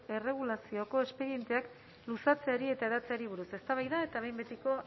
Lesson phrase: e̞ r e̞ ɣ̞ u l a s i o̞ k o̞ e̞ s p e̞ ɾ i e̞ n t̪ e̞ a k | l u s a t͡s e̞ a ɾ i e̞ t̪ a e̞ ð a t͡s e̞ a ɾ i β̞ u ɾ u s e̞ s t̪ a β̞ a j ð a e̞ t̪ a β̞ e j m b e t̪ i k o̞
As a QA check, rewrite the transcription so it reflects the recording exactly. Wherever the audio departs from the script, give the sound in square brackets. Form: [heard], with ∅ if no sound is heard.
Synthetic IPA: e̞ r e̞ ɣ̞ u l a s i o̞ k o̞ e̞ s p e̞ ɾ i e̞ n t̪ e̞ a k | l u s a t͡s e̞ a ɾ i e̞ t̪ a e̞ ð a t͡s e̞ a ɾ i β̞ u ɾ u s e̞ s t̪ a β̞ a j ð a e̞ t̪ a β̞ e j m b e t̪ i k o̞